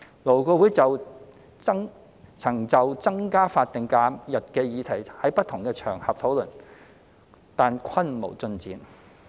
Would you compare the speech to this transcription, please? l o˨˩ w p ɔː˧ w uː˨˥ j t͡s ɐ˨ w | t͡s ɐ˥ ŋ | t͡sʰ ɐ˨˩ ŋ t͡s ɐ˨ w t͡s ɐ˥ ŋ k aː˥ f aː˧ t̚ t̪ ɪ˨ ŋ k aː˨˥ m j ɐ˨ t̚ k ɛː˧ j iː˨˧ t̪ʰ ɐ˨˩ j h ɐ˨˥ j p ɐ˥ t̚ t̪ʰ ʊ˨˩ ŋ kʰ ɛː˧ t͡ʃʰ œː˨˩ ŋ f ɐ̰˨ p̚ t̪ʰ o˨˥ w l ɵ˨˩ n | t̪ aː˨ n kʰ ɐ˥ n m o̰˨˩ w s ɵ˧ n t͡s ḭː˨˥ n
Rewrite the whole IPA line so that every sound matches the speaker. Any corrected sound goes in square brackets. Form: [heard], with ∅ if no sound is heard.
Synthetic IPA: l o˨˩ w [k] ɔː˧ w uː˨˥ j t͡s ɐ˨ w | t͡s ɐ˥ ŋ | t͡sʰ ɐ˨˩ ŋ t͡s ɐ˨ w t͡s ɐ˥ ŋ k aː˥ f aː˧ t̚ t̪ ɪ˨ ŋ k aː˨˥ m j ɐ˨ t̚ k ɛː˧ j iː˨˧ t̪ʰ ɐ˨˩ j h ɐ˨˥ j p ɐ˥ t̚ t̪ʰ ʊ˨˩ ŋ [k] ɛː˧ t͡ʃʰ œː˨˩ ŋ [h] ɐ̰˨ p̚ t̪ʰ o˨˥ w l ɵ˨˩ n | t̪ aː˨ n kʰ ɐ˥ n m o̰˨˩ w [t͡s] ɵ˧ n t͡s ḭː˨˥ n

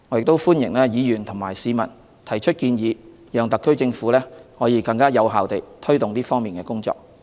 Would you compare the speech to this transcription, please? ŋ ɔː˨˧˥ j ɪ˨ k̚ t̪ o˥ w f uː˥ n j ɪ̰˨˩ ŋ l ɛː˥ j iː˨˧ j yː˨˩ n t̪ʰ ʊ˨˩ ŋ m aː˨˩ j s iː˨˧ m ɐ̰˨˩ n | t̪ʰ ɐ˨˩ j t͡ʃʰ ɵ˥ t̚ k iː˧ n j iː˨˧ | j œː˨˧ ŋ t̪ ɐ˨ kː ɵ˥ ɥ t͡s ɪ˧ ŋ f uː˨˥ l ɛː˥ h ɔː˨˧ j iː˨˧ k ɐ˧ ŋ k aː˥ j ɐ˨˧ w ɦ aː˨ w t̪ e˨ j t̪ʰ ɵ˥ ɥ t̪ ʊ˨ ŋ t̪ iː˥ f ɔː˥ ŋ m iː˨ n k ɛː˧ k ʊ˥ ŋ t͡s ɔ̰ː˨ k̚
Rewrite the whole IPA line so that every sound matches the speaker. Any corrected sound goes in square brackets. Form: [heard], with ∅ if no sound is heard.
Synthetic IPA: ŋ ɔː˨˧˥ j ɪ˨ k̚ t̪ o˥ w f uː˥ n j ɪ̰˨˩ ŋ l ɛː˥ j iː˨˧ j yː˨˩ n t̪ʰ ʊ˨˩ ŋ m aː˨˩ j s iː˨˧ m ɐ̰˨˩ n | t̪ʰ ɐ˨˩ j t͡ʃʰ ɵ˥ t̚ k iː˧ n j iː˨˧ | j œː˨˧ ŋ t̪ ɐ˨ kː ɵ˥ ɥ t͡s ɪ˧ ŋ f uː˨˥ l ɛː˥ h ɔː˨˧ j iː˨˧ k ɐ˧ ŋ k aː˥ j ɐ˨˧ w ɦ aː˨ w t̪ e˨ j t̪ʰ ɵ˥ ɥ t̪ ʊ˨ ŋ t̪ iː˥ f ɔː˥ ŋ m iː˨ n k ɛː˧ k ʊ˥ ŋ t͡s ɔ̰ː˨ k̚

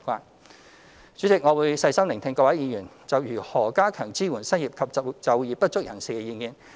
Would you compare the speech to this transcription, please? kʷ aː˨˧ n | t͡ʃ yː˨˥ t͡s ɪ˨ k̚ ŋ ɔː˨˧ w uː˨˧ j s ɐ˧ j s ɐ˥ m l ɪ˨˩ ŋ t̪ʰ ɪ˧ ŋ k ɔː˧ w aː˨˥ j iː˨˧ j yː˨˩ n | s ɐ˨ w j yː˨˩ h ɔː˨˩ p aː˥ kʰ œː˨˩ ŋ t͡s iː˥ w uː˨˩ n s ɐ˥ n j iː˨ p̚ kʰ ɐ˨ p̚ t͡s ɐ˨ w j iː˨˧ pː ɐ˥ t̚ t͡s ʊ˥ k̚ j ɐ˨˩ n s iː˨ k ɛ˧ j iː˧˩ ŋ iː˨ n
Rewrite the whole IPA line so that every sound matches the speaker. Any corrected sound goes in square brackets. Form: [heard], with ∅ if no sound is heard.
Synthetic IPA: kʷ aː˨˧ n | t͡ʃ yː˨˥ t͡s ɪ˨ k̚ ŋ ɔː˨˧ w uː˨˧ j s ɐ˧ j s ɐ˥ m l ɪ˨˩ ŋ t̪ʰ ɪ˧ ŋ k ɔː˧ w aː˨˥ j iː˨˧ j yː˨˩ n | [t͡s] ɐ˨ w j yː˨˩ h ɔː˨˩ [k] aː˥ kʰ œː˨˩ ŋ t͡s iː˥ w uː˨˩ n s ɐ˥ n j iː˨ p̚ kʰ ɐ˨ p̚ t͡s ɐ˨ w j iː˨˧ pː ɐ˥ t̚ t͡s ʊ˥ k̚ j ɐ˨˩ n s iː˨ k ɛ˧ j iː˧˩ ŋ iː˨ n

